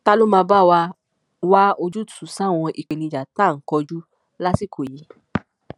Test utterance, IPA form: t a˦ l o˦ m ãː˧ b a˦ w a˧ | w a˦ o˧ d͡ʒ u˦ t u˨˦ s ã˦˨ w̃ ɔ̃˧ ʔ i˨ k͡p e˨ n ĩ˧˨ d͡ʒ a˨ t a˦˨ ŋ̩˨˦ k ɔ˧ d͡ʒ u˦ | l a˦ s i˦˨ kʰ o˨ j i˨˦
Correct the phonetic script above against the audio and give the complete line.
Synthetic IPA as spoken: t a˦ l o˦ m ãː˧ b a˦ w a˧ | w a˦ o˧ d͡ʒ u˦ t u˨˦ s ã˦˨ w̃ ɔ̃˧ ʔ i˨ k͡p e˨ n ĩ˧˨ d͡ʒ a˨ t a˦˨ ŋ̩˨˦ k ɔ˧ d͡ʒ u˦ | l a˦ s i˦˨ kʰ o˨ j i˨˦